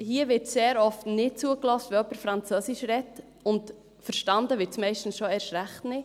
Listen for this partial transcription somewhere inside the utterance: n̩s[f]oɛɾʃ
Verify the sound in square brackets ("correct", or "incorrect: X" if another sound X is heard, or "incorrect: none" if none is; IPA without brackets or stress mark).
incorrect: ʃ